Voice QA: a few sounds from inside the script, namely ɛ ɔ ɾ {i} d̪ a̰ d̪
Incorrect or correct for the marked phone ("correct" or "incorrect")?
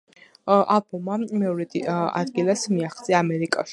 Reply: incorrect